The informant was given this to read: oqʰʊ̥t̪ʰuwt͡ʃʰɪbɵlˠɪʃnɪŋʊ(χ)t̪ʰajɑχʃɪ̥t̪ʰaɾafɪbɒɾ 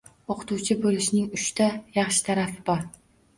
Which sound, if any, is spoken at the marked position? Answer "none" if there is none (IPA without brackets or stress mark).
ʃ